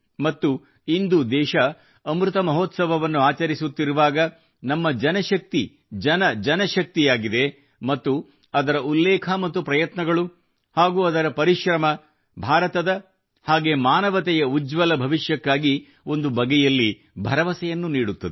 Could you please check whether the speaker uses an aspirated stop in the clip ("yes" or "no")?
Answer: yes